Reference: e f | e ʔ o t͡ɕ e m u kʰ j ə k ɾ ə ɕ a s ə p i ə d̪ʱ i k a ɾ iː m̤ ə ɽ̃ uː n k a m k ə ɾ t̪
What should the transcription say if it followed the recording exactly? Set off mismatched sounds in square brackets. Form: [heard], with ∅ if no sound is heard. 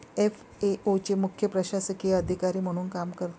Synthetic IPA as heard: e f | e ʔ o t͡ɕ e m u kʰ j ə [p] ɾ ə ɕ a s ə [k] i ə d̪ʱ i k a ɾ iː m̤ ə ɽ̃ uː n k a m k ə ɾ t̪